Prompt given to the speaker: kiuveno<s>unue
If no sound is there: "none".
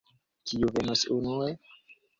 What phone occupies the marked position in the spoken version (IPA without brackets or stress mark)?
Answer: s